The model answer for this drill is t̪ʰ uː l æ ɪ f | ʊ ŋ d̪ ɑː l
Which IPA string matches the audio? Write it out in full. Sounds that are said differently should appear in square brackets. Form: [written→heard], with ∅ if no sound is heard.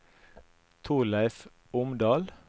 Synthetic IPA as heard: t̪ʰ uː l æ ɪ f | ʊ [ŋ→m] d̪ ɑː l